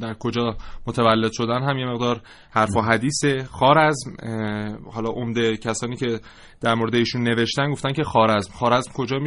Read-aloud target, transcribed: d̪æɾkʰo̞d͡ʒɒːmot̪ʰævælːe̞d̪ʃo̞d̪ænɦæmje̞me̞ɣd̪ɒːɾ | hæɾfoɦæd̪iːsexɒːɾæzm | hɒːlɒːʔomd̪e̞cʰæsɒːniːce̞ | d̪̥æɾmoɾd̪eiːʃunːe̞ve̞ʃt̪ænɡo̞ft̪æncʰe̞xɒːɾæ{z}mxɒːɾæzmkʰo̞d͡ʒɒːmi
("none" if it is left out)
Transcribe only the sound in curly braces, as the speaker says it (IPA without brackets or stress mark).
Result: z